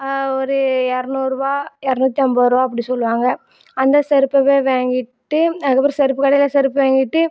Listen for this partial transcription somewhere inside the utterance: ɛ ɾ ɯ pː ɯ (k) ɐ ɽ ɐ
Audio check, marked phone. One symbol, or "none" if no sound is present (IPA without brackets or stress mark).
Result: k